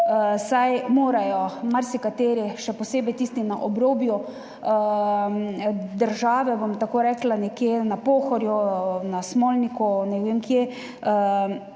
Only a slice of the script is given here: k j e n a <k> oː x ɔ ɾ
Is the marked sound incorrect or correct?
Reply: incorrect